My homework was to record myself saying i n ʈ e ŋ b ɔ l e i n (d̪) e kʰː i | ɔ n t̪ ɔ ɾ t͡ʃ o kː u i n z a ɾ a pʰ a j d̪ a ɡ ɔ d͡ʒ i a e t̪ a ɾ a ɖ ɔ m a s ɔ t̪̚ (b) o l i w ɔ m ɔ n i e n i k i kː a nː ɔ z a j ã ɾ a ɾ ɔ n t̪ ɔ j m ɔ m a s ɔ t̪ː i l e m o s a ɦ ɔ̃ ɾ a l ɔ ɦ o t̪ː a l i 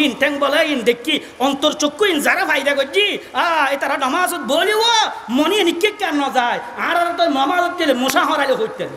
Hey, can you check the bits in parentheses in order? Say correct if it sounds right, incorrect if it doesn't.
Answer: correct, correct

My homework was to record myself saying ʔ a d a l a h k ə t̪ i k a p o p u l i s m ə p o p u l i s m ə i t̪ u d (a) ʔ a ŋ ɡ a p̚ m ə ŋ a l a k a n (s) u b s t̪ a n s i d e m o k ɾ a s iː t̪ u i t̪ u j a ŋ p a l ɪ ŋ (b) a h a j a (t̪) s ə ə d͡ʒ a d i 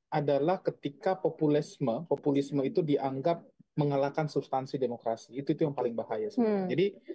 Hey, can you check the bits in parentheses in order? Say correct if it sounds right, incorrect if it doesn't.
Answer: incorrect, correct, correct, incorrect

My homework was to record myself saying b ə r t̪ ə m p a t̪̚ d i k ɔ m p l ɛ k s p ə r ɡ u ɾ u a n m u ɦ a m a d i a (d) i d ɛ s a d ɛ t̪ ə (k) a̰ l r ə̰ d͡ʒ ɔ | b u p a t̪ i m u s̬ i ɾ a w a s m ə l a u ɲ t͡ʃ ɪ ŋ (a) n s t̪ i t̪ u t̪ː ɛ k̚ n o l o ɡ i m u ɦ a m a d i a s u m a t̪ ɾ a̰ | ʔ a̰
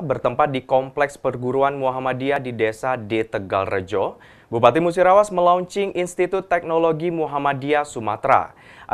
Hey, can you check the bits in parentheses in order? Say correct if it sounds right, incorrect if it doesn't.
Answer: correct, incorrect, incorrect

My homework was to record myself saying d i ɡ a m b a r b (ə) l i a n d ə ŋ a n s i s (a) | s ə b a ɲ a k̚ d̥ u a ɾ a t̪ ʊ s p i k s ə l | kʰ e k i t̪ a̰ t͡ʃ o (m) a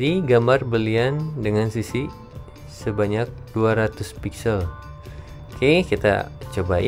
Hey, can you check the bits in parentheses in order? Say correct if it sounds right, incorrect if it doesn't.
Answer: correct, incorrect, incorrect

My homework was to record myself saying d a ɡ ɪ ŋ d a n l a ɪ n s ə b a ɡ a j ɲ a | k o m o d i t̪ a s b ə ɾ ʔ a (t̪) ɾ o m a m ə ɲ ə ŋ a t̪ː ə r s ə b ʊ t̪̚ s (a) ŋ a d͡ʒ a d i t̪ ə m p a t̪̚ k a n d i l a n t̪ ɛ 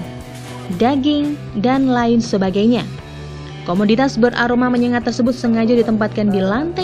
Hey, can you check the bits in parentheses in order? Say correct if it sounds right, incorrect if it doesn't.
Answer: incorrect, incorrect

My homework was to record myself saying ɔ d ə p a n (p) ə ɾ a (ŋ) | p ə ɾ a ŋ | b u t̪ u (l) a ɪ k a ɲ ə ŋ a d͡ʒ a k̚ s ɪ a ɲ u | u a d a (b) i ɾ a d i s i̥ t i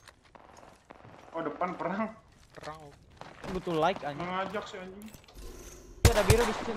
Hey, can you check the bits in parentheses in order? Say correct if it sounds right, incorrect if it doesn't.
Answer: correct, correct, correct, correct

